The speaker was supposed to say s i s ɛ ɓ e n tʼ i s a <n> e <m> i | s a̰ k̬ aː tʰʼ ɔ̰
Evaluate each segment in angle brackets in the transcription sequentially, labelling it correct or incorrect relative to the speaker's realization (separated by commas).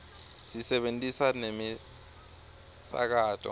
correct, correct